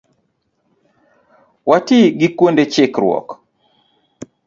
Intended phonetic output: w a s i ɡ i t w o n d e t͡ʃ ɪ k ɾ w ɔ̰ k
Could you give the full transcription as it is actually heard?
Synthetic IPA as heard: w a t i ɡ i k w o n d e t͡ʃ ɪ k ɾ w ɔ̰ k